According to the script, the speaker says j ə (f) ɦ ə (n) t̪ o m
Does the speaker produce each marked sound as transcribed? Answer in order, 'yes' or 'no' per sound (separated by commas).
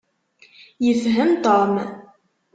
yes, no